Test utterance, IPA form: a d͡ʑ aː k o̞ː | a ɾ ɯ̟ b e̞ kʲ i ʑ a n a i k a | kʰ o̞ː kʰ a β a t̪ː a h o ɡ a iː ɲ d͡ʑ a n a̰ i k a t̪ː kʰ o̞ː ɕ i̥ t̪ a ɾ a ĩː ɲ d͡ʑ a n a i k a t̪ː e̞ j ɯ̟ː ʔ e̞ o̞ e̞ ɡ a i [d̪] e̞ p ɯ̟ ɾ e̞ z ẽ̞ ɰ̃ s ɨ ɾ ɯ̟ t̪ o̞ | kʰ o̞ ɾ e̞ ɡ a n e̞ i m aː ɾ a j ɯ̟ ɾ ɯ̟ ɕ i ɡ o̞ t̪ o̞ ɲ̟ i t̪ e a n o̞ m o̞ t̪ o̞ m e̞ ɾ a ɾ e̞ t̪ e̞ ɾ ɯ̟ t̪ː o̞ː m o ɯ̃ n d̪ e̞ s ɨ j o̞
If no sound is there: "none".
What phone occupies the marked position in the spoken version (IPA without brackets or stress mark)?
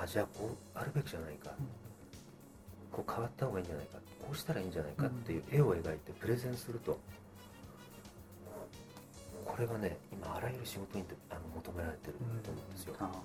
t̪